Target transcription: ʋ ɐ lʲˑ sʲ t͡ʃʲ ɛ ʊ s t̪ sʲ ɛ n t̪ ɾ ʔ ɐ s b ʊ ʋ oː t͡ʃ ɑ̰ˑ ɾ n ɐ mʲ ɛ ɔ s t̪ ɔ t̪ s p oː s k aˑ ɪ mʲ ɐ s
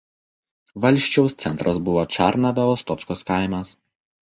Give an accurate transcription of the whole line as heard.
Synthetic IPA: ʋ ɐ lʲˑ ʃʲ t͡ʃʲ ɛ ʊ s t̪ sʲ ɛ n t̪ ɾ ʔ ɐ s b ʊ ʋ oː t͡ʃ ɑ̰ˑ ɾ n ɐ bʲ ɛ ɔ s t̪ ɔ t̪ s k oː s k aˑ ɪ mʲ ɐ s